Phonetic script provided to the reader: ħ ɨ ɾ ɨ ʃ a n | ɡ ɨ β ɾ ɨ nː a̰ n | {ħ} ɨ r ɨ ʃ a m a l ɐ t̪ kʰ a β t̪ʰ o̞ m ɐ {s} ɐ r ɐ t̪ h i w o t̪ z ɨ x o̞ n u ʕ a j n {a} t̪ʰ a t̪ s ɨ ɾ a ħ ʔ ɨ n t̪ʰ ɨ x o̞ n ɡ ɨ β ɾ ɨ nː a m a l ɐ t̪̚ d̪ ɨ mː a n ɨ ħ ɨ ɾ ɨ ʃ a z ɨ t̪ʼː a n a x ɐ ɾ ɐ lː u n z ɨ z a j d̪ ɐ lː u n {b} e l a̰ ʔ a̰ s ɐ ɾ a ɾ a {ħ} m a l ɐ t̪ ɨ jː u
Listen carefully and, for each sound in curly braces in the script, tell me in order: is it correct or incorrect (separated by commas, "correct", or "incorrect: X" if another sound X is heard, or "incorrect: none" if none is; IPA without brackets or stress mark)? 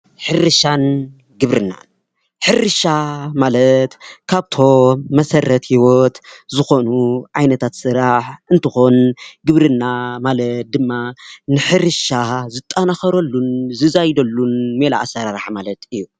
correct, correct, incorrect: ɐ, incorrect: m, correct